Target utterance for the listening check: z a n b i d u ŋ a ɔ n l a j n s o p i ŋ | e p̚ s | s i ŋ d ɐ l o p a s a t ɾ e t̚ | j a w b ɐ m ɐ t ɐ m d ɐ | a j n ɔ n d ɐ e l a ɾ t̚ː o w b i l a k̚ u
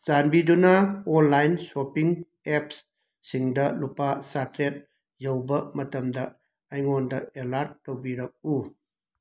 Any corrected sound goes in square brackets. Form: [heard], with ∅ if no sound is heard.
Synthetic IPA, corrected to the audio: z a n b i d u [n] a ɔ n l a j n s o p i ŋ | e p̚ s | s i ŋ d ɐ l [u] p a s a t ɾ e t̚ | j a w b ɐ m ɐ t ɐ m d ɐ | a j [ŋ] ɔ n d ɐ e l a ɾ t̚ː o w b i [ɾ] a k̚ u

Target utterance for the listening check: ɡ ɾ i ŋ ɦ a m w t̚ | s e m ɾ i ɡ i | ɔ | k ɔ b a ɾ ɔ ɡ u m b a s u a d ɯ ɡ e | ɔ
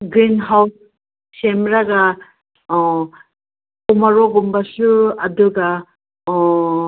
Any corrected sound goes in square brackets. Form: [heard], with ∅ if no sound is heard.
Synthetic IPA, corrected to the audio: ɡ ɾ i [n] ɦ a [∅] w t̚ | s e m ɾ [a] ɡ [a] | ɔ | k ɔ [m] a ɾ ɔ ɡ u m b a s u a d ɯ ɡ [a] | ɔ

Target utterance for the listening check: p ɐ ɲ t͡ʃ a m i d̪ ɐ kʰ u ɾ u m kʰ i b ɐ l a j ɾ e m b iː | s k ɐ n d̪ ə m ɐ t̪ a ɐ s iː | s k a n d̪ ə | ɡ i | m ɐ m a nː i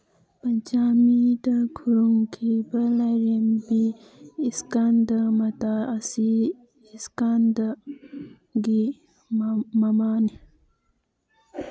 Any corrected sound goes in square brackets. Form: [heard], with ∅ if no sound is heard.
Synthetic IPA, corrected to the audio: p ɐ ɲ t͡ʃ a m i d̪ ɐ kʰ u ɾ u [ŋ] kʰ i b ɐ l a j ɾ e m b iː | s k [a] n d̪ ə m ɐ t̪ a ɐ s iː | s k a n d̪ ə | ɡ i | m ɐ m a [n] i

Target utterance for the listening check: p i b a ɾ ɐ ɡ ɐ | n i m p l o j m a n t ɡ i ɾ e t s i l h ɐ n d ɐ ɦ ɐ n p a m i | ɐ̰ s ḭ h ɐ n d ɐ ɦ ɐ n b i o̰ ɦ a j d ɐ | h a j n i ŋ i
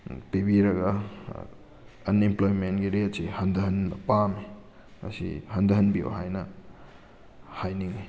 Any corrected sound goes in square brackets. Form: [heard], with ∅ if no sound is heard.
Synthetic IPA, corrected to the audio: p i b [i] ɾ ɐ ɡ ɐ | n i m p l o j m [e] n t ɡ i ɾ e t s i [∅] h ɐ n d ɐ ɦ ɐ n p a m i | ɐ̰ s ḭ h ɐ n d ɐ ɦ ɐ n b i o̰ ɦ a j [n] ɐ | h a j n i ŋ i

